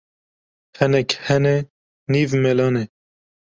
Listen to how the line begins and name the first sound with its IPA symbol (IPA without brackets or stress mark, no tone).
h